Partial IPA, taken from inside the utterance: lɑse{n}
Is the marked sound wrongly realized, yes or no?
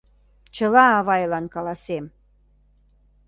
yes